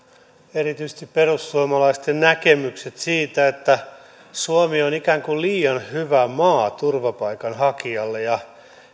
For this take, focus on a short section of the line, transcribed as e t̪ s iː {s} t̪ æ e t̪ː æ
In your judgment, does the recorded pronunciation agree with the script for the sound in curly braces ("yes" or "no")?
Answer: no